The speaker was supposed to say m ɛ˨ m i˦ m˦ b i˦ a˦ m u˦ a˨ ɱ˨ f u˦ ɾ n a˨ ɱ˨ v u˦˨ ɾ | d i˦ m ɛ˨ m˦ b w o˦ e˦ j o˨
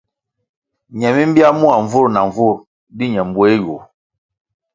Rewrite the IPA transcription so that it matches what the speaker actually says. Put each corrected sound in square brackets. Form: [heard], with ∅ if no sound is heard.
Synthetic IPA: [ɲ] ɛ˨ m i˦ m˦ b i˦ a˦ m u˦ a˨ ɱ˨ [v] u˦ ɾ n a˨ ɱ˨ v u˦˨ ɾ | d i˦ [ɲ] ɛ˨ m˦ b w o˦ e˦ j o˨